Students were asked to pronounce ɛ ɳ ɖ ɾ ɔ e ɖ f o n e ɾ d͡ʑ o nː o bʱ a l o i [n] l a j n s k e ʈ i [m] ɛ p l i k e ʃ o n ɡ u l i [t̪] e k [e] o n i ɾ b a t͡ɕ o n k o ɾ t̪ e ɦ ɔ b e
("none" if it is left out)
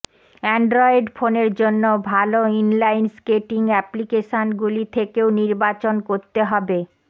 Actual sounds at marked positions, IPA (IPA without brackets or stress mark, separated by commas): n, ŋ, t̪ʰ, e